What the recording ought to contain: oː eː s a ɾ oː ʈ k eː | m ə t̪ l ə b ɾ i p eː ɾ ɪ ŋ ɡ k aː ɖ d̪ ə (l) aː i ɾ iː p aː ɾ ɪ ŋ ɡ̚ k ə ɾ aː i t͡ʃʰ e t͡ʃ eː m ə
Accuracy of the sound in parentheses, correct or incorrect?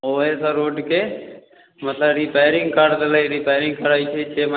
correct